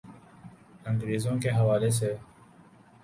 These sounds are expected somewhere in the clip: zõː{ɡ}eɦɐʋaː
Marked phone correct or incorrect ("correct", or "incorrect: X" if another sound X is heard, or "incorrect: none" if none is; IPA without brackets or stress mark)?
incorrect: k